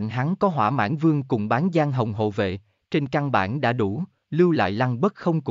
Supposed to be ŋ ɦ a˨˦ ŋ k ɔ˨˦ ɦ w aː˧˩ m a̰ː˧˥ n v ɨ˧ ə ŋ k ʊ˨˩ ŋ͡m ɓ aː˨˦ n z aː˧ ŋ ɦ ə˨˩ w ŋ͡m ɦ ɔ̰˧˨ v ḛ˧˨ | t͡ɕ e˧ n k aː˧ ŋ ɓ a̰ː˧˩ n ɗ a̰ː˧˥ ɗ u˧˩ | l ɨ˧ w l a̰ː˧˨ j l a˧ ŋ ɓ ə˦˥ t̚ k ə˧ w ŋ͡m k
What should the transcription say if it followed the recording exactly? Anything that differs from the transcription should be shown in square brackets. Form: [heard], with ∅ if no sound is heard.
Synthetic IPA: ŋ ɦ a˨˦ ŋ k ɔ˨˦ ɦ w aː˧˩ m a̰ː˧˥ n v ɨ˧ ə ŋ k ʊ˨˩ ŋ͡m ɓ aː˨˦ n z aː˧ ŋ ɦ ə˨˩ w ŋ͡m ɦ [o̰˧˨] v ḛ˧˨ | t͡ɕ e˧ n k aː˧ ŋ ɓ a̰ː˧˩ n ɗ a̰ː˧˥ ɗ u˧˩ | l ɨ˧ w l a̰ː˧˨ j l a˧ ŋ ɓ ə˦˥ t̚ [x] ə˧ w ŋ͡m k

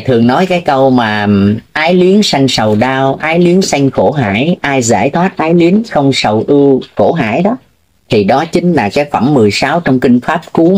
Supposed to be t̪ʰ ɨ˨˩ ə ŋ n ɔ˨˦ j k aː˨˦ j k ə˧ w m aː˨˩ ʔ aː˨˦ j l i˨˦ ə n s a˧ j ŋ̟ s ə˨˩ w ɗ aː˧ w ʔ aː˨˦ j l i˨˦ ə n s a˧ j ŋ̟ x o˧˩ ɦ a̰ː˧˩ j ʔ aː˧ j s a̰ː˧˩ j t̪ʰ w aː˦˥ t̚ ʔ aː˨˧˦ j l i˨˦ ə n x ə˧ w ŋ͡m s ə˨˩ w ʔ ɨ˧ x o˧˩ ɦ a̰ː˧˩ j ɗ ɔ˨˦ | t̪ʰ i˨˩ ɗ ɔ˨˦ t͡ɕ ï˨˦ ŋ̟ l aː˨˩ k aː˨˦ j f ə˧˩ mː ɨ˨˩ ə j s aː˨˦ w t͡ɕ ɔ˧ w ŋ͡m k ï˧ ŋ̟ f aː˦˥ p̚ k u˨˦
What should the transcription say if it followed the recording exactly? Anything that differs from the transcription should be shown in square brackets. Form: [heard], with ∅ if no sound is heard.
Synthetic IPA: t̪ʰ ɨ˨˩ ə ŋ n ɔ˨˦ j k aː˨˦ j k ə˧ w m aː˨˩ ʔ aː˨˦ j l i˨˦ ə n s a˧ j ŋ̟ s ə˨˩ w ɗ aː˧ w ʔ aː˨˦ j l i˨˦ ə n s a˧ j ŋ̟ x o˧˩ ɦ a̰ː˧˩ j ʔ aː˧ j [z] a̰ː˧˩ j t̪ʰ w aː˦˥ t̚ ʔ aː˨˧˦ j l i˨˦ ə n x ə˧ w ŋ͡m s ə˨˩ w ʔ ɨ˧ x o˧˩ ɦ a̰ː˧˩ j ɗ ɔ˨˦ | t̪ʰ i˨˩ ɗ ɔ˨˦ t͡ɕ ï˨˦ ŋ̟ l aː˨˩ k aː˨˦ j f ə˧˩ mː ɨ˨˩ ə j s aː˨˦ w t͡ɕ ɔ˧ w ŋ͡m k ï˧ ŋ̟ f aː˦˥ p̚ k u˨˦

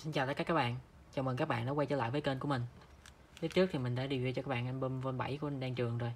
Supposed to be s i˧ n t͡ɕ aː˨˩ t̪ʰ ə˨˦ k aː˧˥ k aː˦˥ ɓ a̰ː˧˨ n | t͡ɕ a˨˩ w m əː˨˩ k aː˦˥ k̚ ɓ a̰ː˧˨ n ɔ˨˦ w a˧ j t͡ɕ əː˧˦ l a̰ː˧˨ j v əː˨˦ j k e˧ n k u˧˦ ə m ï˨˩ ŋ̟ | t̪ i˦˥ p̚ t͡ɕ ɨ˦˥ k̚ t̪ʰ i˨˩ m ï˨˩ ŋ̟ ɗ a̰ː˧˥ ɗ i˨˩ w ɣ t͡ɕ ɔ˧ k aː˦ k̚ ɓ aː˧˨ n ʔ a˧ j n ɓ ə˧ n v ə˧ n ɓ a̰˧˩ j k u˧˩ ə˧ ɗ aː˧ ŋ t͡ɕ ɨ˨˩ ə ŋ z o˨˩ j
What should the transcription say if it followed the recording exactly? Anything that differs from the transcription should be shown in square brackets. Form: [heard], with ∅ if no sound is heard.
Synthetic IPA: s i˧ n t͡ɕ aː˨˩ [t̪] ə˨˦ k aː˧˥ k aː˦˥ ɓ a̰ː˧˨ n | t͡ɕ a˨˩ w m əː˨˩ k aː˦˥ k̚ ɓ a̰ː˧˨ n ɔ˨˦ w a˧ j t͡ɕ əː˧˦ l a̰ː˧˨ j v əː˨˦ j k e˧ n k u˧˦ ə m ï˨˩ ŋ̟ | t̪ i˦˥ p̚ t͡ɕ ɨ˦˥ k̚ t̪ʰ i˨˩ m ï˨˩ ŋ̟ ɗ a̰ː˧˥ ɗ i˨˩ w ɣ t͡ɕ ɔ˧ k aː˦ k̚ ɓ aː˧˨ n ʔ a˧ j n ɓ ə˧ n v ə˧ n ɓ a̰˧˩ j k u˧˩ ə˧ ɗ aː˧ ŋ t͡ɕ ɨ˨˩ ə ŋ z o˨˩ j

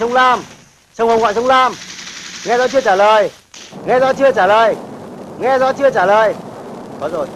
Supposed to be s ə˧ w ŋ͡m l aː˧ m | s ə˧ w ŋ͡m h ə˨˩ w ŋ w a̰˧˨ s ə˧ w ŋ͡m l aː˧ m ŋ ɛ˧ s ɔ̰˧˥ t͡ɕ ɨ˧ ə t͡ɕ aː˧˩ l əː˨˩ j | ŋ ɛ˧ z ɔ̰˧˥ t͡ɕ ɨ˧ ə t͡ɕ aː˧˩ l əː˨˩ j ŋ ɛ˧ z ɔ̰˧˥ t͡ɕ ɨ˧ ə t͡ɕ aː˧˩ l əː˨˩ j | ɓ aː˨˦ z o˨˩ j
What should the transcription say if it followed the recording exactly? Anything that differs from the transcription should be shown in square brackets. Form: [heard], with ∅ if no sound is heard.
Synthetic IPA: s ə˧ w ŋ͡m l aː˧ m | s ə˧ w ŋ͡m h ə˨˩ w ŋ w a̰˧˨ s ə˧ w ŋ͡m l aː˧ m ŋ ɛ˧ [z] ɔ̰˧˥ t͡ɕ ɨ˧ ə t͡ɕ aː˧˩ l əː˨˩ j | ŋ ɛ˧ z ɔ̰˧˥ t͡ɕ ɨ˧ ə t͡ɕ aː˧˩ l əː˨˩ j ŋ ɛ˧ z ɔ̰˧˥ t͡ɕ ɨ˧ ə t͡ɕ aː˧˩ l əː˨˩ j | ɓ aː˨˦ z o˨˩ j

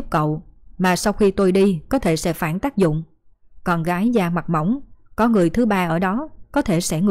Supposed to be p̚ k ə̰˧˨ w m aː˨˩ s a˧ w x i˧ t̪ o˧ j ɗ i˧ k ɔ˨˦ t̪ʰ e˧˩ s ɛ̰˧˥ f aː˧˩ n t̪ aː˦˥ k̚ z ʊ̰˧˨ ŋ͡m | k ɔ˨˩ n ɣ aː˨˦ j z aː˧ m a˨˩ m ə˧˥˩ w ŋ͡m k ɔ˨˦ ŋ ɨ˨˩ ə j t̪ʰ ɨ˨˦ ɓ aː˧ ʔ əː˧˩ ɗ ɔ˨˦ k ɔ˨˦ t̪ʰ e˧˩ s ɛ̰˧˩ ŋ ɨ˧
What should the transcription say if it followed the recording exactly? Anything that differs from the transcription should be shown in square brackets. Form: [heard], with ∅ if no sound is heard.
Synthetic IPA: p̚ k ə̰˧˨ w m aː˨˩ s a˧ w x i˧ t̪ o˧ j ɗ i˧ k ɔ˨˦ t̪ʰ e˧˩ s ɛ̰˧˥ f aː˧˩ n t̪ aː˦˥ k̚ z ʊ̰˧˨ ŋ͡m | k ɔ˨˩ n ɣ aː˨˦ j z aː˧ m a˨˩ m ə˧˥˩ w ŋ͡m k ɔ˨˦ ŋ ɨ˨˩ ə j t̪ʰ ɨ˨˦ ɓ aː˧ ʔ əː˧˩ ɗ ɔ˨˦ k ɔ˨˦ t̪ʰ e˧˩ s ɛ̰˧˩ ŋ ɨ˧

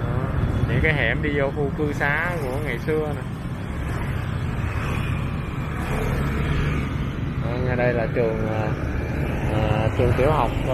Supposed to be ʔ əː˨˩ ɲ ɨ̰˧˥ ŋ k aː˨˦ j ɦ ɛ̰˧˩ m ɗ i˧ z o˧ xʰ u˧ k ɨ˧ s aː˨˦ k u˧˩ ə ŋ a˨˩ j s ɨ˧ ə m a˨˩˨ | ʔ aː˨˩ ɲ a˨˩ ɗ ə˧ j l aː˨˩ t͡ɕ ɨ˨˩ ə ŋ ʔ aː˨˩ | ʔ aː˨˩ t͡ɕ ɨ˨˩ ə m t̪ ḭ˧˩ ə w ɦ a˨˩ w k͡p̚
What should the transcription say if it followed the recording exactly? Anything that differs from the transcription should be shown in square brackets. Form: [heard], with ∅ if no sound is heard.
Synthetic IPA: ʔ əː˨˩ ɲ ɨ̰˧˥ ŋ k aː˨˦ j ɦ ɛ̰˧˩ m ɗ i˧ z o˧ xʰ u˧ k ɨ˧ s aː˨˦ k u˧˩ ə ŋ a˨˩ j s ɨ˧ ə [n] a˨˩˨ | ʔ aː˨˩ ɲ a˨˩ ɗ ə˧ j l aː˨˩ t͡ɕ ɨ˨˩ ə ŋ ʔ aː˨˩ | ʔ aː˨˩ t͡ɕ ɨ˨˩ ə [ŋ] t̪ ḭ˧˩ ə w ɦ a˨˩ w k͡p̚

